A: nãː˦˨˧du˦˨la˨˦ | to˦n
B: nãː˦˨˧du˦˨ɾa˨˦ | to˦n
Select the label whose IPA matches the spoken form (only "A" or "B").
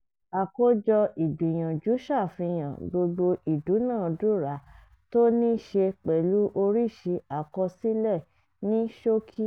B